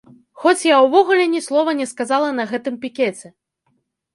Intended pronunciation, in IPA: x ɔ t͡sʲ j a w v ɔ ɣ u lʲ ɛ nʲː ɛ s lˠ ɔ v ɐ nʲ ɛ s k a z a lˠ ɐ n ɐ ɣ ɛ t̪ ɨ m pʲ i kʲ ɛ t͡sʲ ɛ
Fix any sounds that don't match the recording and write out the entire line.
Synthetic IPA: x ɔ t͡sʲ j a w v ɔ ɣ u lʲ ɛ nʲ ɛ s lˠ ɔ v ɐ nʲ ɛ s k a z a lˠ ɐ n ɐ ɣ ɛ t̪ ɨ m pʲ i kʲ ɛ t͡sʲ ɛ

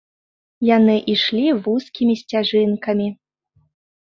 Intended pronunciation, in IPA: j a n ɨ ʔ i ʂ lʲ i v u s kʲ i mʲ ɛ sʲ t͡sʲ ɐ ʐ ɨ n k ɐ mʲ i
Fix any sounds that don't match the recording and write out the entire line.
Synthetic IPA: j a n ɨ ʔ i ʂ lʲ i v u s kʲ i mʲ i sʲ t͡sʲ a ʐ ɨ n k ɐ mʲ i

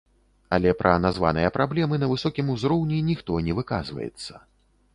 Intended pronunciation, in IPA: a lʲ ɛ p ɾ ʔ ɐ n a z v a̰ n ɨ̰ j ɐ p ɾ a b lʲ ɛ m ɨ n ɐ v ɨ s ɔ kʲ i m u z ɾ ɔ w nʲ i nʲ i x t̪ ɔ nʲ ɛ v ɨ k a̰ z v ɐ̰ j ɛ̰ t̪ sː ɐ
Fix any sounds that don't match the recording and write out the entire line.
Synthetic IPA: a lʲ ɛ p ɾ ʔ ɐ n a z v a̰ n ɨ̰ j ɐ p ɾ a b lʲ ɛ m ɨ n ɐ v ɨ s ɔ kʲ i m u z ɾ ɔ w nʲ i nʲ i x t̪ ɔ nʲ ɛ v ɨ k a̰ z v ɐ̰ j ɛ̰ t̪ sː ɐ

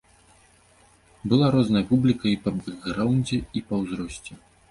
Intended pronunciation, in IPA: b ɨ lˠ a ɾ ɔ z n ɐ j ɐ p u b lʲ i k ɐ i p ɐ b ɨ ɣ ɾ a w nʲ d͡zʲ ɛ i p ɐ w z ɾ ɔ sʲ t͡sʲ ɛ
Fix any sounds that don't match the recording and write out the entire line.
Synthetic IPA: b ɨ lˠ a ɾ ɔ z n ɐ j ɐ p u b lʲ i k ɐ i p ɐ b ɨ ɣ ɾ a w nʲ d͡zʲ ɛ i p ɐ w z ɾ ɔ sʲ t͡sʲ ɛ

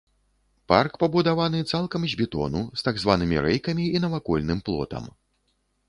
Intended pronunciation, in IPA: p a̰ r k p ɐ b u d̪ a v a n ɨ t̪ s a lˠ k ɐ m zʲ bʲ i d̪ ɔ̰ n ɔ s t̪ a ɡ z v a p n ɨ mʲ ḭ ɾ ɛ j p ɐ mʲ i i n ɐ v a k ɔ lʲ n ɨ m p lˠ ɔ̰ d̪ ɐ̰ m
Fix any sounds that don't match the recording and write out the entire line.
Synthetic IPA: p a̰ r k p ɐ b u d̪ a v a n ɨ t̪ s a lˠ k ɐ m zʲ bʲ i t̪ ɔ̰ n u s t̪ a ɡ z v a n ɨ mʲ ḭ ɾ ɛ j k ɐ mʲ i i n ɐ v a k ɔ lʲ n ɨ m p lˠ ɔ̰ t̪ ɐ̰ m

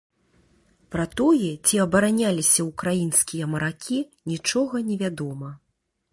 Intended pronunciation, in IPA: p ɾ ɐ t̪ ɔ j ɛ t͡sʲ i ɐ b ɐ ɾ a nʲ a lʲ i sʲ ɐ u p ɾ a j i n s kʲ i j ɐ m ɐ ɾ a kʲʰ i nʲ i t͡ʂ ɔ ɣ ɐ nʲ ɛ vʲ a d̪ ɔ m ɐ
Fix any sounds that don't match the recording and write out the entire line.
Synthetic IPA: p ɾ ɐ t̪ ɔ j ɛ t͡sʲ i ɐ b ɐ ɾ a nʲ a lʲ i sʲ ɐ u k ɾ a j i n s kʲ i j ɐ m ɐ ɾ a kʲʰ i nʲ i t͡ʂ ɔ ɣ ɐ nʲ ɛ vʲ a d̪ ɔ m ɐ

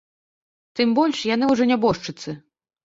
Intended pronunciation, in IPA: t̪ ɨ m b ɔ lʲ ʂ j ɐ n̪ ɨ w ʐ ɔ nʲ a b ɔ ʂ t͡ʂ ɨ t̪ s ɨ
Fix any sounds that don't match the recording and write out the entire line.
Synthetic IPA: t̪ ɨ m b ɔ lʲ ʂ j a n̪ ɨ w ʐ ɔ nʲ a b ɔ ʂ t͡ʂ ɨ t̪ s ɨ

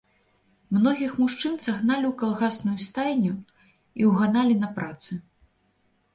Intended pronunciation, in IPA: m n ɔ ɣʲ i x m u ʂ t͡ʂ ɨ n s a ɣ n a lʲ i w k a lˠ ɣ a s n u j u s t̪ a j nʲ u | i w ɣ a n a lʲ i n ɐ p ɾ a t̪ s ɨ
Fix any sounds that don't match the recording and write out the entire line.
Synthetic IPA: m n ɔ ɣʲ i x m u ʂ t͡ʂ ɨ n s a ɣ n a lʲ i w k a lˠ ɣ a s n u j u s t̪ a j nʲ u | i w ɣ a n a lʲ i n ɐ p ɾ a t̪ s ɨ

